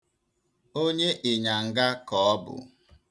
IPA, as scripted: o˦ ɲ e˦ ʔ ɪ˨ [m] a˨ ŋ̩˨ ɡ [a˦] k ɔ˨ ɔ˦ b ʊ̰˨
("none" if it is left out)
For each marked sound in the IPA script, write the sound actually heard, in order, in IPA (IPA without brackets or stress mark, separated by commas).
ɲ, a˦